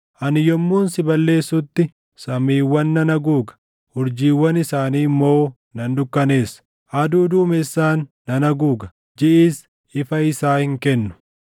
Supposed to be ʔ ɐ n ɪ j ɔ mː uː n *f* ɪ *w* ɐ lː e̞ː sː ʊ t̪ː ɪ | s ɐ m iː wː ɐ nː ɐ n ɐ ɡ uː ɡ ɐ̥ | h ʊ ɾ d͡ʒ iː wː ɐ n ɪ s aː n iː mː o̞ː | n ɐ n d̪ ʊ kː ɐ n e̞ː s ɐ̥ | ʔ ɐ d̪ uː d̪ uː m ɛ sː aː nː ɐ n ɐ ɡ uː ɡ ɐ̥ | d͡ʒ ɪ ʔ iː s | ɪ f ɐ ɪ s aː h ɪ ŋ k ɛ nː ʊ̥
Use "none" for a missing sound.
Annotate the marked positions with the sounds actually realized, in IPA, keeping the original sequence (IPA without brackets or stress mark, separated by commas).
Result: s, b